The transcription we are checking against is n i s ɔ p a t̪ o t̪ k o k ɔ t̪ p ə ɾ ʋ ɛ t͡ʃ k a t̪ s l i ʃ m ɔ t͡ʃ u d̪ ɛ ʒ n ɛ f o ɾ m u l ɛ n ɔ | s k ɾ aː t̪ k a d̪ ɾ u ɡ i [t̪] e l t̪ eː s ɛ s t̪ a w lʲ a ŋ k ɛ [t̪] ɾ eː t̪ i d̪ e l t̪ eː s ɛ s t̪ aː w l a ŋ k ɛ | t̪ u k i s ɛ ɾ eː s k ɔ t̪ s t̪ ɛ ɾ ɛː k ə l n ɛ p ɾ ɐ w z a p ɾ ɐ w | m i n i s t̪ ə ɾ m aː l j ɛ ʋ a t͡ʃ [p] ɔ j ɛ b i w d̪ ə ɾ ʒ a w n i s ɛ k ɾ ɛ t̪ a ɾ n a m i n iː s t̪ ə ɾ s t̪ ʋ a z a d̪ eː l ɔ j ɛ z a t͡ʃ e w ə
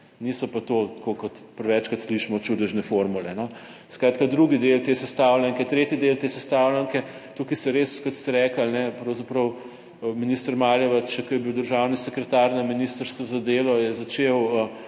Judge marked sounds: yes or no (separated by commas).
no, yes, no